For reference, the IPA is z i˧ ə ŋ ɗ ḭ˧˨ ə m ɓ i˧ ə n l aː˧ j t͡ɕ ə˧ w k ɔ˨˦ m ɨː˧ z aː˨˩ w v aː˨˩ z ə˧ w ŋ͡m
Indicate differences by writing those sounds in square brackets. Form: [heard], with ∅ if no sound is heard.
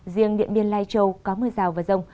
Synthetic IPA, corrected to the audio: z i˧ ə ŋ ɗ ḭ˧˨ ə [n] ɓ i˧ ə n l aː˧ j t͡ɕ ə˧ w k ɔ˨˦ m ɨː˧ z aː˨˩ w v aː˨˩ z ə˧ w ŋ͡m